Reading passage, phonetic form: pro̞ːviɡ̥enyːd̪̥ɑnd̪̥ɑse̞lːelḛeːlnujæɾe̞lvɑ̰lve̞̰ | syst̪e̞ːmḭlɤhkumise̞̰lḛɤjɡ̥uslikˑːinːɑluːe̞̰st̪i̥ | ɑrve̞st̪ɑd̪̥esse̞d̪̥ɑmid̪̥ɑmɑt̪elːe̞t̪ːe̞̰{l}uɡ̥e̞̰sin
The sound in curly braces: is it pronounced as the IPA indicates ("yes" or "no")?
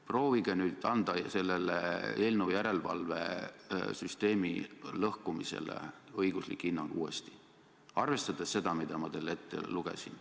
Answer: yes